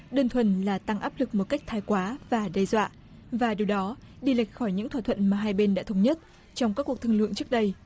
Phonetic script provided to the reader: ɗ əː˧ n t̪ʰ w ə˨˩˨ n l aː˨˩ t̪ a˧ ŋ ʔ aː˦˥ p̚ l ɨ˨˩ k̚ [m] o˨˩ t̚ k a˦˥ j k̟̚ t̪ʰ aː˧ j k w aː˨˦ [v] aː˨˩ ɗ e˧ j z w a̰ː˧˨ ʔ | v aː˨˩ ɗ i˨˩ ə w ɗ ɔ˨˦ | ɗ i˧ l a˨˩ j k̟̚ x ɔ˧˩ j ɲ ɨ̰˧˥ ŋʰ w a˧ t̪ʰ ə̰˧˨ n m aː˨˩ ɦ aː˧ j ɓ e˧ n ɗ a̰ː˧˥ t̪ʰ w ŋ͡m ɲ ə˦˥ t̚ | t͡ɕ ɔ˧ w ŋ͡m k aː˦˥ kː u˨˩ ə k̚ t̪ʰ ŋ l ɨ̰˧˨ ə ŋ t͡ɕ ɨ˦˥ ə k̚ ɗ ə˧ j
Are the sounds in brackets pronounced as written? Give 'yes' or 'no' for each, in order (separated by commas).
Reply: yes, yes